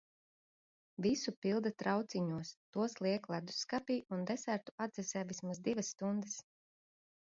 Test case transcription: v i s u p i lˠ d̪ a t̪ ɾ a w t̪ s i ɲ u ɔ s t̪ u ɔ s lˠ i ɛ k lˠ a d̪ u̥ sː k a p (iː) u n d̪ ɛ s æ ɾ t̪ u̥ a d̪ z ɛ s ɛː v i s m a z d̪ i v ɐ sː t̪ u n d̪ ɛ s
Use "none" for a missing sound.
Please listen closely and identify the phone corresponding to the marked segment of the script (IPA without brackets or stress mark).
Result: iː